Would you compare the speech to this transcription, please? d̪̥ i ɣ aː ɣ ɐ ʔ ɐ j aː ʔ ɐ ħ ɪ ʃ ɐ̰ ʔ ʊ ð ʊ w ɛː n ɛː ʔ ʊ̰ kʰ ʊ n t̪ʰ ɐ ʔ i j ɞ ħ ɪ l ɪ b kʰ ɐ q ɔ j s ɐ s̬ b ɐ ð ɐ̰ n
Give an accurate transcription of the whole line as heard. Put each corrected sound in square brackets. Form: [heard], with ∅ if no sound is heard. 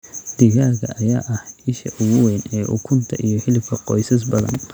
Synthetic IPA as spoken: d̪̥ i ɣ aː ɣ ɐ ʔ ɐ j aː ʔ ɐ [h] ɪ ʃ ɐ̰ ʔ ʊ [ɣ] ʊ w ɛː n ɛː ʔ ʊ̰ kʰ ʊ n t̪ʰ ɐ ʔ i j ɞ ħ ɪ l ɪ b kʰ ɐ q ɔ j s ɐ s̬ b ɐ ð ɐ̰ n